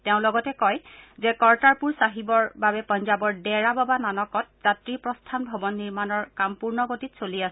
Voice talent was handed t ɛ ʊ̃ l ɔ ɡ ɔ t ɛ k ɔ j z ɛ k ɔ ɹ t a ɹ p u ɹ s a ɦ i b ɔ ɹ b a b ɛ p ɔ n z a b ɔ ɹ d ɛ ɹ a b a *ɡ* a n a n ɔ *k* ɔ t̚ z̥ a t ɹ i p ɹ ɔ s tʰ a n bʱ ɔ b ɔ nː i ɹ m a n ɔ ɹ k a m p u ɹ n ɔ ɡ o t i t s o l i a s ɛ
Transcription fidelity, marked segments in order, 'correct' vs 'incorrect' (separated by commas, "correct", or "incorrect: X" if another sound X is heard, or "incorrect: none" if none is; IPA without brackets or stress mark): incorrect: b, correct